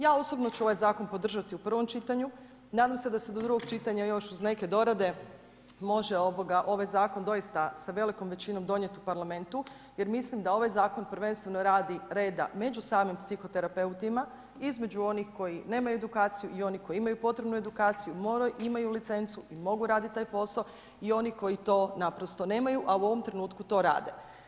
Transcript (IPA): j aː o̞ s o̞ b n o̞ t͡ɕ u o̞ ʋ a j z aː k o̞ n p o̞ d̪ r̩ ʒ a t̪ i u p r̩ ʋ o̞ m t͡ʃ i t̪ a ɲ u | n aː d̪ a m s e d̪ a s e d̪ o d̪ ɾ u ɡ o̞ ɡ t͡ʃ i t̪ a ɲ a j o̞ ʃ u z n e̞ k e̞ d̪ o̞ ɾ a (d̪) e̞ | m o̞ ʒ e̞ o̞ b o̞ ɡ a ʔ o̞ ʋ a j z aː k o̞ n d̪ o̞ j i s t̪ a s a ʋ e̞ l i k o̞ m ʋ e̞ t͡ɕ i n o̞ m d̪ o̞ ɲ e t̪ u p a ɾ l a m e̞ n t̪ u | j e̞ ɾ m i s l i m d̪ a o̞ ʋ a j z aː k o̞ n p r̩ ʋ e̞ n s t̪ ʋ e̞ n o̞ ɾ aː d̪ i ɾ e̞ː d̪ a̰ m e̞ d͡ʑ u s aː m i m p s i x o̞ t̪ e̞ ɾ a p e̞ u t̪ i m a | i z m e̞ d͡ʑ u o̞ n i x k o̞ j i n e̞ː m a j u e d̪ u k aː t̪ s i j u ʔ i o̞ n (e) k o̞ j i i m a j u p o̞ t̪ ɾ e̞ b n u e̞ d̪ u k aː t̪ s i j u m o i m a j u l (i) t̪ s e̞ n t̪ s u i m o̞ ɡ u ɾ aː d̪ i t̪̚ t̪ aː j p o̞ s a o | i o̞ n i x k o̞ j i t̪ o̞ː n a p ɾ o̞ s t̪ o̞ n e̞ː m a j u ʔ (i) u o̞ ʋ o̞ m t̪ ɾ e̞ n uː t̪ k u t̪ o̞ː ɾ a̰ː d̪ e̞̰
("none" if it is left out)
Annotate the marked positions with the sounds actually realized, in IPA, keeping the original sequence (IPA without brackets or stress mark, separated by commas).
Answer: d̪, i, i, a